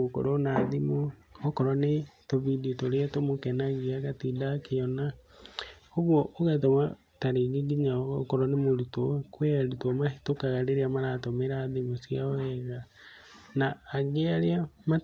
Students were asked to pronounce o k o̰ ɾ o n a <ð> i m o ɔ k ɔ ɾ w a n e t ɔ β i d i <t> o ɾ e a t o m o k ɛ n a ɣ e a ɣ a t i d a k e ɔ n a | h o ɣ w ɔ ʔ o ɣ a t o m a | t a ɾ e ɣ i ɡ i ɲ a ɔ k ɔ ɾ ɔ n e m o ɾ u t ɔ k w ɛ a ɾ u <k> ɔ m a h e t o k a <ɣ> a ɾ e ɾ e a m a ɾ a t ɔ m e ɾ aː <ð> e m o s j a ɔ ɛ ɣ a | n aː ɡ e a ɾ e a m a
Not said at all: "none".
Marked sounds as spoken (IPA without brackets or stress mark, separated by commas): ð, t, t, ɣ, ð